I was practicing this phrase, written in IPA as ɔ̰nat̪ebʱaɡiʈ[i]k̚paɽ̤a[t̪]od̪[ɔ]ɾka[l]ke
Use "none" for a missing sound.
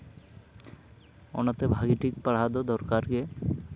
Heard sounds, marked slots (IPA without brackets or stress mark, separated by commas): i, d̪, ɔ, ɾ